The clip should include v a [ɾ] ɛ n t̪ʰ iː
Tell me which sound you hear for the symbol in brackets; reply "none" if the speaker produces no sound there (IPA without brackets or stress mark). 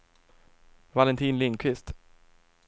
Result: l